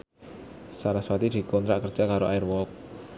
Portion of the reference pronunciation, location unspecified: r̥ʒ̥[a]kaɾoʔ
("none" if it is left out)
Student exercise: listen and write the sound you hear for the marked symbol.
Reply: a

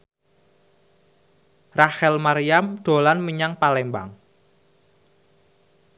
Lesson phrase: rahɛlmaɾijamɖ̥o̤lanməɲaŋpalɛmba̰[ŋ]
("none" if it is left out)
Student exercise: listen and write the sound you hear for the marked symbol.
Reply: ŋ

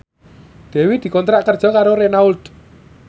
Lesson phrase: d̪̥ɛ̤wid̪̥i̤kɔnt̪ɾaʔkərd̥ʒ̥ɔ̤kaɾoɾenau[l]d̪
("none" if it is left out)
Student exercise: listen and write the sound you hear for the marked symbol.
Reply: l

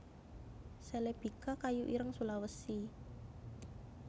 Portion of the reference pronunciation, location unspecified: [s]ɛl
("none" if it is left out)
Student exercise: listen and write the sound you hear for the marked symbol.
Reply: s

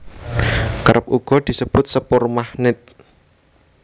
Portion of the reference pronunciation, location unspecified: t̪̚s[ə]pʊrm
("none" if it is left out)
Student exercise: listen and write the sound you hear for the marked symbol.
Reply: ə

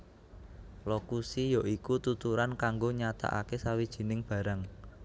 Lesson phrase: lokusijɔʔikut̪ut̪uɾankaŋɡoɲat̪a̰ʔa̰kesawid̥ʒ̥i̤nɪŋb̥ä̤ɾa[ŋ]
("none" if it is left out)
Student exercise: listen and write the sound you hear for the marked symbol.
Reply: ŋ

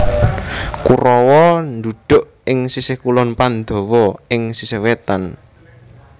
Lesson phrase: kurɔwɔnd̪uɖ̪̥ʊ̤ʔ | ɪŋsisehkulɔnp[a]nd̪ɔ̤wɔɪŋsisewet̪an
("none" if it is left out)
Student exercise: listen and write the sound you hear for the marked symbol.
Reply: a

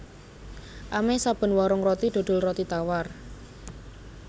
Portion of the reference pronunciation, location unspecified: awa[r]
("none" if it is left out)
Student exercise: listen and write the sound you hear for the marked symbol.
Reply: r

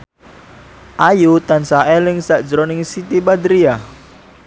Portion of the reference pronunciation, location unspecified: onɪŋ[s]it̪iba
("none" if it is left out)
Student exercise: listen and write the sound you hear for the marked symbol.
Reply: s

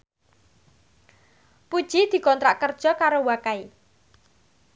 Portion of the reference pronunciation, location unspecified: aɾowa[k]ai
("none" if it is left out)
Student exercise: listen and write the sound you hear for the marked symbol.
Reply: k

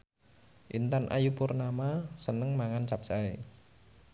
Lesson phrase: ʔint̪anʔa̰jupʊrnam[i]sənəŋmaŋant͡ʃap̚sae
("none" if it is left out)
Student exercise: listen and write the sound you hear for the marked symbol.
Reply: a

